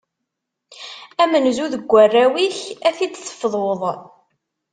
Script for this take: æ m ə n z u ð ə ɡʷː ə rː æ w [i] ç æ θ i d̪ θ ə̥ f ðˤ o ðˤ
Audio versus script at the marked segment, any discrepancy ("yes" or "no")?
no